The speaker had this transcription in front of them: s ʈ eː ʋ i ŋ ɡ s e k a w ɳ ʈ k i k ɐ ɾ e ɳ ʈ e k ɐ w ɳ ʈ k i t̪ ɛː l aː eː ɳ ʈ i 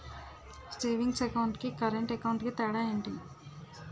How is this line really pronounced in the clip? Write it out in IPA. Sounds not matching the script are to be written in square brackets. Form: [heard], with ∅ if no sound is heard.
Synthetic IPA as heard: s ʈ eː ʋ i ŋ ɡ s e k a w ɳ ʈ k i k ɐ ɾ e ɳ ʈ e k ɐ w ɳ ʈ k i t̪ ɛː [ɽ] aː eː ɳ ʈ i

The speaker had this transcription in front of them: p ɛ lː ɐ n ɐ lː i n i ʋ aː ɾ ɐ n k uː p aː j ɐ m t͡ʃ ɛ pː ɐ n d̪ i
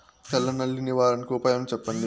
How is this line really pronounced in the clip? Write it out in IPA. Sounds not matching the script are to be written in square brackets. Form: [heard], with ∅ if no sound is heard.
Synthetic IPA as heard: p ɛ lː ɐ n ɐ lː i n i ʋ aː ɾ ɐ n k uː p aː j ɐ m t͡ʃ ɛ pː ɐ n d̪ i

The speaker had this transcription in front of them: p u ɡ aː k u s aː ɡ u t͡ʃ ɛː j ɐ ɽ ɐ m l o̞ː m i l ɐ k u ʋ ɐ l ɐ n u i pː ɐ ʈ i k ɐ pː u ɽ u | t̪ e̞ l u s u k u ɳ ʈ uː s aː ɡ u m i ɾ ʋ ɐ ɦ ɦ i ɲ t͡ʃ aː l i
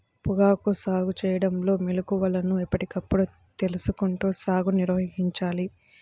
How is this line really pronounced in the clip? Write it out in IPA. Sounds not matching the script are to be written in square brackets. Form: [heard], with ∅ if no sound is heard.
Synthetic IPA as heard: p u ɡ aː k u s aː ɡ u t͡ʃ ɛː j ɐ ɽ ɐ m l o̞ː m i l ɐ k u ʋ ɐ l ɐ n u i pː ɐ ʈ i k ɐ pː u ɽ u | t̪ e̞ l u s u k u ɳ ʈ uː s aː ɡ u [n] i ɾ ʋ ɐ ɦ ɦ i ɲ t͡ʃ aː l i

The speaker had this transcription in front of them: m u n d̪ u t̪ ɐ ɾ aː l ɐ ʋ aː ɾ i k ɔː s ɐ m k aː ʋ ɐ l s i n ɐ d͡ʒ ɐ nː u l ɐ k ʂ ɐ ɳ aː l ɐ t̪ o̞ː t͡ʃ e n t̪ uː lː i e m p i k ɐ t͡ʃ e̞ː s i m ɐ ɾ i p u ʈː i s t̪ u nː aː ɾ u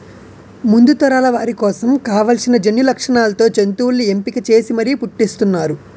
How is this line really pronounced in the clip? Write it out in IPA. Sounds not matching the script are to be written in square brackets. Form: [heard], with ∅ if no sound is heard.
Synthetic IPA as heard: m u n d̪ u t̪ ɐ ɾ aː l ɐ ʋ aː ɾ i k ɔː s ɐ m k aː ʋ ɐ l s i n ɐ d͡ʒ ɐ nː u l ɐ k ʂ ɐ ɳ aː l ɐ t̪ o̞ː t͡ʃ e n t̪ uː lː i e m p i k ɐ t͡ʃ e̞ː s i m ɐ ɾ i p u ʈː i s t̪ u nː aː ɾ u

